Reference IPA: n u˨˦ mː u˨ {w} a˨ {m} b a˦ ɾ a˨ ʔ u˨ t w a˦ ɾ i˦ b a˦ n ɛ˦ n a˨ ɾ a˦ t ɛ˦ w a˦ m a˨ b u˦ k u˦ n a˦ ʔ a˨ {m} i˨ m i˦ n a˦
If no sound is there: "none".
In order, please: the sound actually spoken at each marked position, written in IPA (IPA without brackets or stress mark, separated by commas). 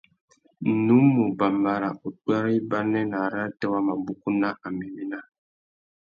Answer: b, m, m